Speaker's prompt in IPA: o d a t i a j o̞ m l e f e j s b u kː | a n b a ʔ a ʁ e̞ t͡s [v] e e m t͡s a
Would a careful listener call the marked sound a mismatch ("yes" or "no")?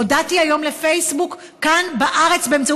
yes